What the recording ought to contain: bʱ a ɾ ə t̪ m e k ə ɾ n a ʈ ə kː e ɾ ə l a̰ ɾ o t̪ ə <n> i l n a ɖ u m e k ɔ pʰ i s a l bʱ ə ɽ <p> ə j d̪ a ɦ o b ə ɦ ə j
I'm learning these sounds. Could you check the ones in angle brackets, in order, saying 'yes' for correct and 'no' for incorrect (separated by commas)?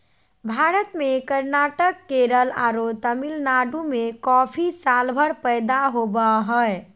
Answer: no, yes